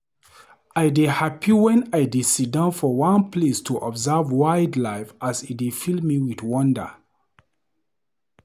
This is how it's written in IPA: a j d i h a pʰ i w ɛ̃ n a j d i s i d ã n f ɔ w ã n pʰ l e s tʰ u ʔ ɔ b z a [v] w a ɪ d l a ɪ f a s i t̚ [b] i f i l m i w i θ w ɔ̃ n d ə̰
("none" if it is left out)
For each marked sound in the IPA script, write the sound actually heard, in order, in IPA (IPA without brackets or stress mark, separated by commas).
v, d